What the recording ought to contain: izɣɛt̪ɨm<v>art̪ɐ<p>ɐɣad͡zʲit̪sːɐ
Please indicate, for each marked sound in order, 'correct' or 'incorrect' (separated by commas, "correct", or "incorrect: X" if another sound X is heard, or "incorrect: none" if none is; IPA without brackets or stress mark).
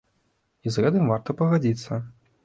correct, correct